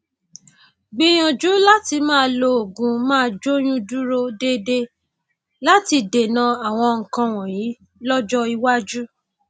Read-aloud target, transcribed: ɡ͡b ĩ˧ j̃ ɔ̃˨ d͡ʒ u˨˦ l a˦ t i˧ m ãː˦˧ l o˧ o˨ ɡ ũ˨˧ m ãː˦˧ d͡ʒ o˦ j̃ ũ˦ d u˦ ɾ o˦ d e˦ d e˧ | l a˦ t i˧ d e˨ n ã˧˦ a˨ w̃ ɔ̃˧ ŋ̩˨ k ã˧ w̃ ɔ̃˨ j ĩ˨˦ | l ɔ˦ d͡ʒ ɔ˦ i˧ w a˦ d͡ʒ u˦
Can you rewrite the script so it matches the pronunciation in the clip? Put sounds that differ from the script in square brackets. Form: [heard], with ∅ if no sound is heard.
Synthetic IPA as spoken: ɡ͡b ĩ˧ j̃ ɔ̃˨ d͡ʒ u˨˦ l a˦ t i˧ m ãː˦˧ l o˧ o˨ ɡ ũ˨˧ m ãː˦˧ d͡ʒ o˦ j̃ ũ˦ d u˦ ɾ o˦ d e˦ d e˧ | l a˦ t i˧ d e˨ n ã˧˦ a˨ w̃ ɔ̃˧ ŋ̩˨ k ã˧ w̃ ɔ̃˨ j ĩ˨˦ | l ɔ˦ d͡ʒ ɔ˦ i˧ w a˦ d͡ʒ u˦